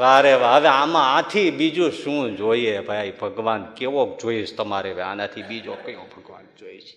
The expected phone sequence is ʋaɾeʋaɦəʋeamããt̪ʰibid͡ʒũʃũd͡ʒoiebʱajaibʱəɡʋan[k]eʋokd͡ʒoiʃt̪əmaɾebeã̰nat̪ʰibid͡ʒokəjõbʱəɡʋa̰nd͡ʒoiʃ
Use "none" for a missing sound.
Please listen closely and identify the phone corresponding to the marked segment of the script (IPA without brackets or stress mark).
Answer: k